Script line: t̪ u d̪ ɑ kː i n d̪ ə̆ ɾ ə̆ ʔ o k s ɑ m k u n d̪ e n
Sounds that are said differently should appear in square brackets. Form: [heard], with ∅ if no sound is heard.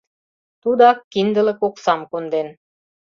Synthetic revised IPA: t̪ u d̪ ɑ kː i n d̪ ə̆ [l] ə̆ [k] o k s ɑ m k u n d̪ e n